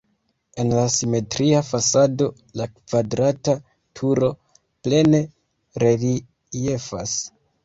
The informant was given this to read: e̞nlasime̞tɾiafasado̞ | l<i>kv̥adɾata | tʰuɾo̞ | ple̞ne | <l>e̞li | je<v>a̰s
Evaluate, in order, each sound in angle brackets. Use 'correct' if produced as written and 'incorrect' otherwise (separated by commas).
incorrect, incorrect, incorrect